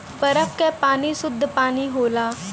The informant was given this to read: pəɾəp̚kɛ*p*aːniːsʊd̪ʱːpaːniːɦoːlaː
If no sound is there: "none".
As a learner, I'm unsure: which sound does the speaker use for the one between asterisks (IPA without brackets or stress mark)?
p